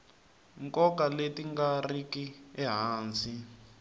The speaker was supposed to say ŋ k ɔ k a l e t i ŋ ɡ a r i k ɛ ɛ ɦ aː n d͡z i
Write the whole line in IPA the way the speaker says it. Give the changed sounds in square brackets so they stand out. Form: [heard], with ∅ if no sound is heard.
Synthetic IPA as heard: ŋ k ɔ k a l e t i ŋ ɡ a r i k [i] ɛ ɦ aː n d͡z i